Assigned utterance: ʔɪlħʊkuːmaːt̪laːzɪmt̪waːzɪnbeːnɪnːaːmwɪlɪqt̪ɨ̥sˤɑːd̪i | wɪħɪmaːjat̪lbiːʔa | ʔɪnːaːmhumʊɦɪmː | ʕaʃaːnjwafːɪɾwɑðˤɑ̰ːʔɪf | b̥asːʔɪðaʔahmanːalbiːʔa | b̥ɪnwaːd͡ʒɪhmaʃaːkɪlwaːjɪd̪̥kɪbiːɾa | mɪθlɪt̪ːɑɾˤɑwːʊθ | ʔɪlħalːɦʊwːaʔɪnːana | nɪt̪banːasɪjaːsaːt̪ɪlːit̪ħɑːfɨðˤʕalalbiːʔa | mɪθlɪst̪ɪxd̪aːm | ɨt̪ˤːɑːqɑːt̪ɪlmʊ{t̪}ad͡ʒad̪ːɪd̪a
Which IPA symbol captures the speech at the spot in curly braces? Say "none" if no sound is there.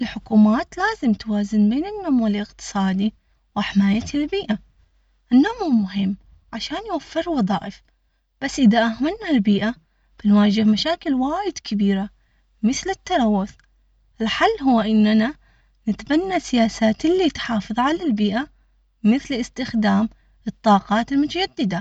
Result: t̪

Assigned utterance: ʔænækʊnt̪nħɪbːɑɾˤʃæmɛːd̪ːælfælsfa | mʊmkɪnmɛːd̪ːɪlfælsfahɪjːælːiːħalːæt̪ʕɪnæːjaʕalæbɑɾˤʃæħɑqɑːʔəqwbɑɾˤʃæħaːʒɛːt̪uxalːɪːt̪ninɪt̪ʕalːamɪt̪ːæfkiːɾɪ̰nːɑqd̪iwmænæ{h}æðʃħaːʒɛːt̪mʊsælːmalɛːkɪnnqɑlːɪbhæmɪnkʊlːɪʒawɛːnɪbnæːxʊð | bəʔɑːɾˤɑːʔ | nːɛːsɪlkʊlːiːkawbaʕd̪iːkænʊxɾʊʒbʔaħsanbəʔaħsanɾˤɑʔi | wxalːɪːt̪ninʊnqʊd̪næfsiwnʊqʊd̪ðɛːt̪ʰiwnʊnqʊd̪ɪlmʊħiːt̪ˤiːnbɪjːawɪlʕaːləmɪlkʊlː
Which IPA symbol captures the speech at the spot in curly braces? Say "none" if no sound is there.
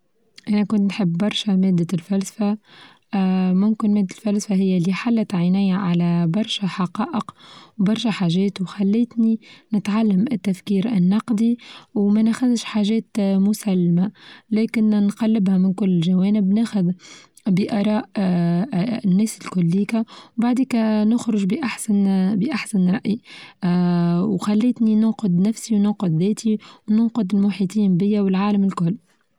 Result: x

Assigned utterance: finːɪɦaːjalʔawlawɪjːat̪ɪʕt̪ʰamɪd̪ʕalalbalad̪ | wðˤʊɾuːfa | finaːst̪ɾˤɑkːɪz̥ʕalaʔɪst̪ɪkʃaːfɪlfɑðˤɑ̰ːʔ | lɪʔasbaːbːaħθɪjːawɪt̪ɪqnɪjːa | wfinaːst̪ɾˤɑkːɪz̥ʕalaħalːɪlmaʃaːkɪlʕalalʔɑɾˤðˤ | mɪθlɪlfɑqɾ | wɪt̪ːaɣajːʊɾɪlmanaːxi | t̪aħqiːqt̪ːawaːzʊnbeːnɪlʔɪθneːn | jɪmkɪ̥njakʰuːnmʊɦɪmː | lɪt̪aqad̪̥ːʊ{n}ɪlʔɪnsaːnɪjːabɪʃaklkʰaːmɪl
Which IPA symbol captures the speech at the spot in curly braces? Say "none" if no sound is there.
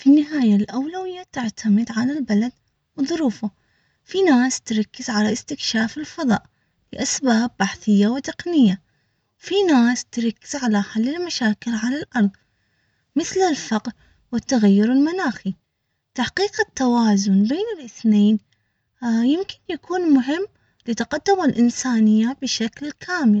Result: m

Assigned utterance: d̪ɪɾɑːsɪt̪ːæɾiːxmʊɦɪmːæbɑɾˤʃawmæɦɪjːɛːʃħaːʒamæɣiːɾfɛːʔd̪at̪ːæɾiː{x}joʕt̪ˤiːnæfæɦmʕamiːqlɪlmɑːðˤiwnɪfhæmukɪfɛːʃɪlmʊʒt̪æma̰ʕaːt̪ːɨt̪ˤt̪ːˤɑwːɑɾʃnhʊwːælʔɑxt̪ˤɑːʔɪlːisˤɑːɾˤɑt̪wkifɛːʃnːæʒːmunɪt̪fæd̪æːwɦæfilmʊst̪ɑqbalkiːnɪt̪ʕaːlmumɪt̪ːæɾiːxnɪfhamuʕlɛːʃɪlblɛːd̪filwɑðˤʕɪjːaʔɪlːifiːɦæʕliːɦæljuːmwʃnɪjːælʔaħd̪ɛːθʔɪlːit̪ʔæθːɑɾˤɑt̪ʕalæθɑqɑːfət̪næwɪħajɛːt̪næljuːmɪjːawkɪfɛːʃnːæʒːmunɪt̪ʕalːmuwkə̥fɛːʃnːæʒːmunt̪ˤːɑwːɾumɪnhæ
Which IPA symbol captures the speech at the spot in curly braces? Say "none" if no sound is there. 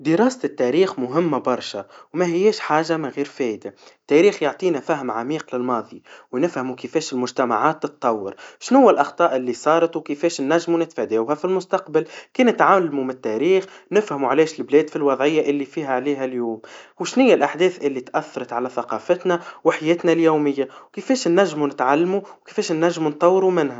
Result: x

